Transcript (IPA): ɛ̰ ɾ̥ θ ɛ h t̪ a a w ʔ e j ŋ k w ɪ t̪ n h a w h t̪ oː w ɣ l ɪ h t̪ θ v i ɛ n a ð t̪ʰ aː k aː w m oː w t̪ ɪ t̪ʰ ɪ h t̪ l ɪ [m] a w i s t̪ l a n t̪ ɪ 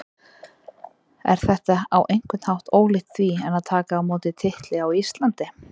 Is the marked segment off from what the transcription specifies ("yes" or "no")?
yes